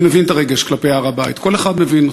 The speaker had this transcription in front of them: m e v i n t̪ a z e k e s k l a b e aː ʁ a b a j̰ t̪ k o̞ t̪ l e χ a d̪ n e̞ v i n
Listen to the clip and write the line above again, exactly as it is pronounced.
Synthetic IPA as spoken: m e v i n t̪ a ʁ e ɡ e ʃ k l a p e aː ʁ a b a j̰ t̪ k o̞ l e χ a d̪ m e̞ v i n